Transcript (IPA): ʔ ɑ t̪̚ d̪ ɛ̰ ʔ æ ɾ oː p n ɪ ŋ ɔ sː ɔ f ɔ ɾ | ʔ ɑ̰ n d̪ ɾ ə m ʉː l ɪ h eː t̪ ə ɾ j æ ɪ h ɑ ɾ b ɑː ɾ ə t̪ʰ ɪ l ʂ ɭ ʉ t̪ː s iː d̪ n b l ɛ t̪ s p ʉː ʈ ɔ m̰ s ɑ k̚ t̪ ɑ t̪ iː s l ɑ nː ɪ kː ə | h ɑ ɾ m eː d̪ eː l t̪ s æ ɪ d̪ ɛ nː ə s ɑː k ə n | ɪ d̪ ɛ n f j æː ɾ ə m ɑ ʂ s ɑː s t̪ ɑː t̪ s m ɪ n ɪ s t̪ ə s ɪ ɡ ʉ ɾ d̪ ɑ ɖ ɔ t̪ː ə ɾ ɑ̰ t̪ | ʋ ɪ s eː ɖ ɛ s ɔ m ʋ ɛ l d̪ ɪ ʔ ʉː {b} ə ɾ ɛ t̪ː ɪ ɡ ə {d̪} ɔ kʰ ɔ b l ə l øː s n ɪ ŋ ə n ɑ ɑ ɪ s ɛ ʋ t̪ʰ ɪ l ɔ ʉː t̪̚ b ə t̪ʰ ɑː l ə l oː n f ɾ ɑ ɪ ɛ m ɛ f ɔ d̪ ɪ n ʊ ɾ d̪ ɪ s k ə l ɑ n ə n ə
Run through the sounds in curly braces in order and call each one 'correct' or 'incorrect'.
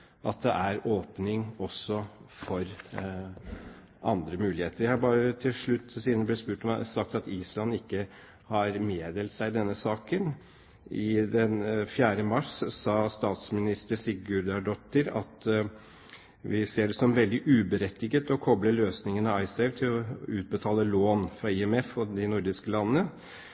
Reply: correct, incorrect: t̪

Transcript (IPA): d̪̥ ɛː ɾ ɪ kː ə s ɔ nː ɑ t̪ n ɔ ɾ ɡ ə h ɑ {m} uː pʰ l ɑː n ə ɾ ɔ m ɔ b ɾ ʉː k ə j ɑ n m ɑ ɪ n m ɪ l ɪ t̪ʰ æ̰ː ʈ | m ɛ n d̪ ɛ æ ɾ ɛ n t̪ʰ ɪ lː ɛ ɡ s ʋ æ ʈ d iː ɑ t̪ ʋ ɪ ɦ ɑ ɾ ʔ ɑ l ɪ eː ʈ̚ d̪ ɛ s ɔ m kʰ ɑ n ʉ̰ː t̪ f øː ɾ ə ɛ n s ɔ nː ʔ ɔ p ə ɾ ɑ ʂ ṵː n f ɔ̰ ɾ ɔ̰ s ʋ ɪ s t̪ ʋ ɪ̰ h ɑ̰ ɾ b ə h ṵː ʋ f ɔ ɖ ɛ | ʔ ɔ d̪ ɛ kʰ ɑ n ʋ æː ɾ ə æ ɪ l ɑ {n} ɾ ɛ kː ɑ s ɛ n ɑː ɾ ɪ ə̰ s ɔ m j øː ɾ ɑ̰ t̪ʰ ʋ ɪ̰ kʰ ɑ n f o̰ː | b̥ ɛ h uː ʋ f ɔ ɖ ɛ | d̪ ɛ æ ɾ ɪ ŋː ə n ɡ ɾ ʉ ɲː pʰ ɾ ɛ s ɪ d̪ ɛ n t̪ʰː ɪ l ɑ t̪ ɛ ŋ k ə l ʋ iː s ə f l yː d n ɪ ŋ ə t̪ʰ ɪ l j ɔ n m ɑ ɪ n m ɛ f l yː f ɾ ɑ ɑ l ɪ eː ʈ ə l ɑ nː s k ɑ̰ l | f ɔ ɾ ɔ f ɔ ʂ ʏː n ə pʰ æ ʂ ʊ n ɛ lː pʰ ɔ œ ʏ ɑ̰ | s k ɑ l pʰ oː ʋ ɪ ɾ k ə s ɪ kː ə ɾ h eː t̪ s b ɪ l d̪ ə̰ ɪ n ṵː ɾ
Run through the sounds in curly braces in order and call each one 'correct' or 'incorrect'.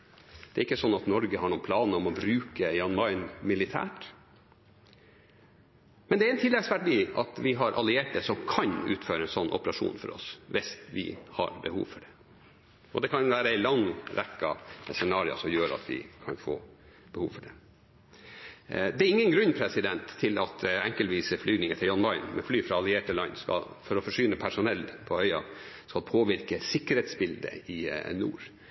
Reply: incorrect: ɳ, incorrect: ŋ

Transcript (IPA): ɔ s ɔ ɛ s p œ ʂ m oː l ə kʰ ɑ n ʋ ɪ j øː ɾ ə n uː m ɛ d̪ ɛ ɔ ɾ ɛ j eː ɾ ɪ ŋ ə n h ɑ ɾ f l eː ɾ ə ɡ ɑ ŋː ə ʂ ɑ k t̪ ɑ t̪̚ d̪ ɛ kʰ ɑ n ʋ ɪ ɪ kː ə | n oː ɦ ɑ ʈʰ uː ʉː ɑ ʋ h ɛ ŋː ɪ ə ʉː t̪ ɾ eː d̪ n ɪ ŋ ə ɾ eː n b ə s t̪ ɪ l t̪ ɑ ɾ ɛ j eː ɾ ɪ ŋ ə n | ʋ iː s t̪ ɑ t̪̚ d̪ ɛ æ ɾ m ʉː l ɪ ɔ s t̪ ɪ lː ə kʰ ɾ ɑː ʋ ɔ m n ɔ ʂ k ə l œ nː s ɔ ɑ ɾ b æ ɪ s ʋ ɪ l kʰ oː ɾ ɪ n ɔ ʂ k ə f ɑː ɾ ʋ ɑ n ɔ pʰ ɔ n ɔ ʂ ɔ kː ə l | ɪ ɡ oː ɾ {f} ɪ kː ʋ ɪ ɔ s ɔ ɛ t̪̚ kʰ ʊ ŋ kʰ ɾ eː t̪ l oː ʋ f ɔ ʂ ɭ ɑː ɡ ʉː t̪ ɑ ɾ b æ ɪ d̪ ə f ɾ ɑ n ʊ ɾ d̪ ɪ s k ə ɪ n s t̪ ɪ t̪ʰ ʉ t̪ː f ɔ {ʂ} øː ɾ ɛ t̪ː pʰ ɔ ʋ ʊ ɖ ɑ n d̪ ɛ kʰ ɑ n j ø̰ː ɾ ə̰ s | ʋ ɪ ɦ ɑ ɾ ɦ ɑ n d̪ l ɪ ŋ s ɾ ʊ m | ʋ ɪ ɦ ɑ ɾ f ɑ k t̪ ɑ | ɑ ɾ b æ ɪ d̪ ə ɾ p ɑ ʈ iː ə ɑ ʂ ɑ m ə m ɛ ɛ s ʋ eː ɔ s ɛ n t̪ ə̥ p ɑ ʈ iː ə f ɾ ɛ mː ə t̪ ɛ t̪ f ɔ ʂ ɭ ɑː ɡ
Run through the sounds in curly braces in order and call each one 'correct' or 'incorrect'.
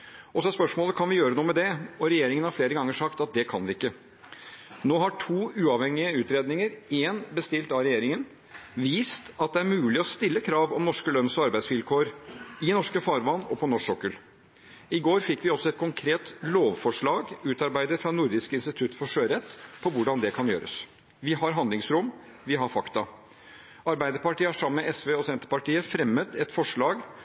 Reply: correct, correct

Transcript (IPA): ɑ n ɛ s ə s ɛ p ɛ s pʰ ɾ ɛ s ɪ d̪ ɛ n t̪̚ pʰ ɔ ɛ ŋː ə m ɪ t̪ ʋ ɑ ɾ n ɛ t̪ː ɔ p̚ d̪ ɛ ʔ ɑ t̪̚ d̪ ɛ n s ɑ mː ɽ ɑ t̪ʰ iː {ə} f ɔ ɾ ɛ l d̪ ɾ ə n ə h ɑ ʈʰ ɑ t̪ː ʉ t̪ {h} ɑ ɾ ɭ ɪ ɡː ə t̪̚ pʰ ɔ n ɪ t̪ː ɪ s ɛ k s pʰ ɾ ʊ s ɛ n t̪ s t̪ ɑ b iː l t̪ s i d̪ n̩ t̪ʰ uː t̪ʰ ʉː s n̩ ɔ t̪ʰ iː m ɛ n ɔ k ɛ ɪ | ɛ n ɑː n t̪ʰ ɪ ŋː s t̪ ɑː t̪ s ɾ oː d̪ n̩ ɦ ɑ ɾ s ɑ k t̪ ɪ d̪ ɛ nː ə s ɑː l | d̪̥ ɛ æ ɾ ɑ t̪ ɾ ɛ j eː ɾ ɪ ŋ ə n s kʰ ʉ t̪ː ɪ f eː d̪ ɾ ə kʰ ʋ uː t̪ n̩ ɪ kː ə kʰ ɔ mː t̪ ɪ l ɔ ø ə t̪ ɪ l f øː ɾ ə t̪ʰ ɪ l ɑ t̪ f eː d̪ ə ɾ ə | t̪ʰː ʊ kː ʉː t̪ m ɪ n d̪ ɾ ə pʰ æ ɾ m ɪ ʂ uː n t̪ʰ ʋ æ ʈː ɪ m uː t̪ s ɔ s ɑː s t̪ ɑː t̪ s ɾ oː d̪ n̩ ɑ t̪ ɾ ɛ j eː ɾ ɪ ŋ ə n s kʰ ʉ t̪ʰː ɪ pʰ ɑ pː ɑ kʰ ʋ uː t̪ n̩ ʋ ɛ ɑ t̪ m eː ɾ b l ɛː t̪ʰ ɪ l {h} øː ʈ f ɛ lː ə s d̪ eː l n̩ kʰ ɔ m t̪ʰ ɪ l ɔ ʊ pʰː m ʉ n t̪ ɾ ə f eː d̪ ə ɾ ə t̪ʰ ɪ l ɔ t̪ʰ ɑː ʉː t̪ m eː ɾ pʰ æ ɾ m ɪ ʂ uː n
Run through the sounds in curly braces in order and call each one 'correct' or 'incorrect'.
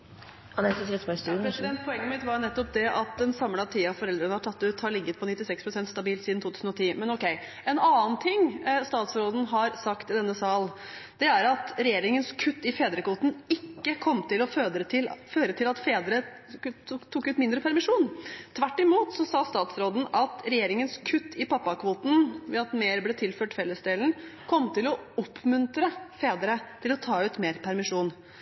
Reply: incorrect: ɑ, correct, incorrect: f

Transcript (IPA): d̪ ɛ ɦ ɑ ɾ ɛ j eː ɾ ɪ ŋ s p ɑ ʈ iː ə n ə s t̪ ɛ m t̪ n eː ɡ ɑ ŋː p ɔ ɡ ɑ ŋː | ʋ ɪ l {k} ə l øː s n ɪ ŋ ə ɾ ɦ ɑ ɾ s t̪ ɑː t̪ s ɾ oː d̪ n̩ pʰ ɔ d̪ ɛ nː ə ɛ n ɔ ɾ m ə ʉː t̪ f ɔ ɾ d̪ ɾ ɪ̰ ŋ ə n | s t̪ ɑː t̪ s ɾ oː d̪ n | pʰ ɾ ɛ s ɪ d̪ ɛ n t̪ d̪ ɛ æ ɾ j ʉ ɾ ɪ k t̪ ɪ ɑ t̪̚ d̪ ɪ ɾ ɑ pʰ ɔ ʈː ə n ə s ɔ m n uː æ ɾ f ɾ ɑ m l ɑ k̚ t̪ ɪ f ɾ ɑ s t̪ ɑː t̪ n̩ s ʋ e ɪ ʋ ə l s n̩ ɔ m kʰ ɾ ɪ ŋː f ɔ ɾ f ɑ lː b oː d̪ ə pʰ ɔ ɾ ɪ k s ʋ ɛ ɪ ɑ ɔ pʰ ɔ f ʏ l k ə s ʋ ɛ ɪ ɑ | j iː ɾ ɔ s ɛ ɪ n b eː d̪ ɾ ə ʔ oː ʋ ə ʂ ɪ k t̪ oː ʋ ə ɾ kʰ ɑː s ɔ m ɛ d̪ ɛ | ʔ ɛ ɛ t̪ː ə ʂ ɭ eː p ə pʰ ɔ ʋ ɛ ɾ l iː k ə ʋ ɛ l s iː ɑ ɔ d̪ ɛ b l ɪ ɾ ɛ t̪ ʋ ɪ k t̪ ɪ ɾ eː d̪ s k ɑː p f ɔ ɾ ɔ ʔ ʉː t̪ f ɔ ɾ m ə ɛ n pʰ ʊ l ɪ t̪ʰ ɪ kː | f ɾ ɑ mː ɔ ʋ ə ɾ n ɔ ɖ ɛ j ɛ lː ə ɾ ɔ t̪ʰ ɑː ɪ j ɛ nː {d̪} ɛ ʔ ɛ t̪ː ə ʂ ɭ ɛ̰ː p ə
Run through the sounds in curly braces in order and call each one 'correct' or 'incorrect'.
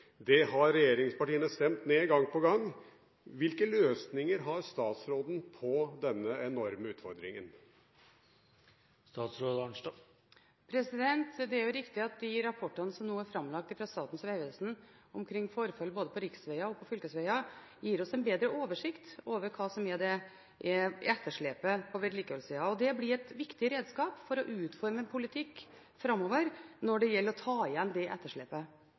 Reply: correct, correct

